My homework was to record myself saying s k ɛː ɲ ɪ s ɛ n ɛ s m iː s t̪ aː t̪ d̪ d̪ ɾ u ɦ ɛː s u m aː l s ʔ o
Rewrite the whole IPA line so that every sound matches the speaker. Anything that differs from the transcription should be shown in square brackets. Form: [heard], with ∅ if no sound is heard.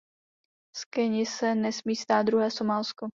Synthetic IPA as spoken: s k [ɛ] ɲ ɪ s ɛ n ɛ s m iː s t̪ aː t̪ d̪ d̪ ɾ u ɦ ɛː s [o] m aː l s [k] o